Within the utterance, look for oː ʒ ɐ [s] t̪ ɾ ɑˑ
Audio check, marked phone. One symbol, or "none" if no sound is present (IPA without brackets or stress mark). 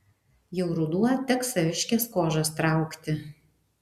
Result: s